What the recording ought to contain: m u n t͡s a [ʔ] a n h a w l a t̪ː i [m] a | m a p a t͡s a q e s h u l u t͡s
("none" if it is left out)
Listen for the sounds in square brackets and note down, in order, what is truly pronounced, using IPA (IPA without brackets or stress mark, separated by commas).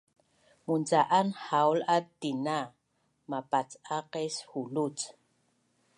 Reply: ʔ, n